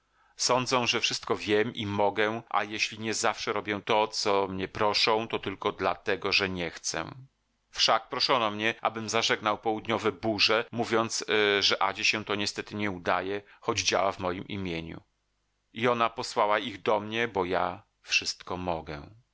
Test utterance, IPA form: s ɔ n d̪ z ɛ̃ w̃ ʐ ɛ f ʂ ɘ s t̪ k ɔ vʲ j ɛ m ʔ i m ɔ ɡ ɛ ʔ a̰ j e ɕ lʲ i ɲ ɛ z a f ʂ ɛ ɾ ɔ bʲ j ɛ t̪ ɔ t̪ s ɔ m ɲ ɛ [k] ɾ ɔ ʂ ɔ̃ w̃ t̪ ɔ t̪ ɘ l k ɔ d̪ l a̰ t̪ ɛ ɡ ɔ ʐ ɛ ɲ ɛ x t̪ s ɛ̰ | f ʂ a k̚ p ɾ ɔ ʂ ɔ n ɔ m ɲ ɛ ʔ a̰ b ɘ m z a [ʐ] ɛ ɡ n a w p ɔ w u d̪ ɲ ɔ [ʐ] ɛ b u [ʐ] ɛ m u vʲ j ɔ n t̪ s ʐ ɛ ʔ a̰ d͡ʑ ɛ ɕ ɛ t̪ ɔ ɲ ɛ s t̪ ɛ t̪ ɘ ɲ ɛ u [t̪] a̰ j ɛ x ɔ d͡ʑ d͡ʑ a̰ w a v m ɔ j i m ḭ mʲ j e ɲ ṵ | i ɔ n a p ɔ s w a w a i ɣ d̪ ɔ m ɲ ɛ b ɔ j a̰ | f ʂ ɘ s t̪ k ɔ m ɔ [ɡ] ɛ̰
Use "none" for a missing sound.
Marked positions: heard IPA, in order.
p, ʐ, v, ʐ, d̪, ɡ

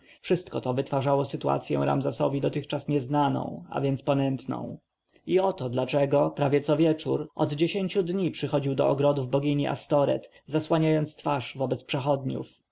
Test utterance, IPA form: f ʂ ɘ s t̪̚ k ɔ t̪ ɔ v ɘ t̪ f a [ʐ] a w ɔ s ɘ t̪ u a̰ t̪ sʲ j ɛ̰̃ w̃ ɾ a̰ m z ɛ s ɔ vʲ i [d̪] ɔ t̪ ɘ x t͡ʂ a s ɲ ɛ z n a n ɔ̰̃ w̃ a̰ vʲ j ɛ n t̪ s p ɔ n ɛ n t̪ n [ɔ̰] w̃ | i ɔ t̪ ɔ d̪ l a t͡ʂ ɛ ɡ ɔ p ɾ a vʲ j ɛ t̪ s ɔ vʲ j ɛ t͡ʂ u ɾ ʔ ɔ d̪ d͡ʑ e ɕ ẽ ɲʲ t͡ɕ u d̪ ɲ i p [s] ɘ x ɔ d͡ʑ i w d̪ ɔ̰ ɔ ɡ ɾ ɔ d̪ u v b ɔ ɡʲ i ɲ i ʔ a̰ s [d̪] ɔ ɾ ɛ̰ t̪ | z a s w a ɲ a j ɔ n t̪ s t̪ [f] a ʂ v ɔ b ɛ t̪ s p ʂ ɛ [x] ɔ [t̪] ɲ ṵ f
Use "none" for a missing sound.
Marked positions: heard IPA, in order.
ʐ, d̪, ɔ̰̃, ʂ, t̪, f, x, d̪

